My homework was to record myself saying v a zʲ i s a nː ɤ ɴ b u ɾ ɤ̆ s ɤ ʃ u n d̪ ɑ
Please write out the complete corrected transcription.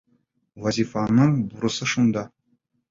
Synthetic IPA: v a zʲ i f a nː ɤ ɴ b u ɾ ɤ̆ s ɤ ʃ u n d̪ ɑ